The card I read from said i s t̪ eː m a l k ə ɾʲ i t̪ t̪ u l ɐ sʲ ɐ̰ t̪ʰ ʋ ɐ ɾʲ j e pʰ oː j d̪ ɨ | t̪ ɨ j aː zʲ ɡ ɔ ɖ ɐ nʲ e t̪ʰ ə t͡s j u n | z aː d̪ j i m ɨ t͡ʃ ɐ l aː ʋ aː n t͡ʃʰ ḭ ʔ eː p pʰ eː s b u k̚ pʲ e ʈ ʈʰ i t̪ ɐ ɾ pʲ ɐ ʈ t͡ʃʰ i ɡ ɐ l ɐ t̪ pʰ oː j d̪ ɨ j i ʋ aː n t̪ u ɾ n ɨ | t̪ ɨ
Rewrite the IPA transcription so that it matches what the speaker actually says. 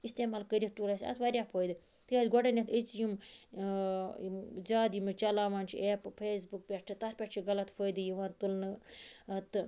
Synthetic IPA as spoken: i s t̪ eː m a l k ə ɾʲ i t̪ t̪ u l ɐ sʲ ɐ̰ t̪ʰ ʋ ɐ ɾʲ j a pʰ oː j d̪ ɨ | t̪ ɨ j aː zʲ ɡ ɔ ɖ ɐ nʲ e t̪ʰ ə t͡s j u m | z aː d̪ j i m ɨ t͡ʃ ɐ l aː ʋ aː n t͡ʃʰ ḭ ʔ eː p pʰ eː s b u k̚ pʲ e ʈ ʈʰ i t̪ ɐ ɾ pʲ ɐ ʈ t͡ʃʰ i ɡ ɐ l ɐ t̪ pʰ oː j d̪ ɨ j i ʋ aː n t̪ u l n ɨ | t̪ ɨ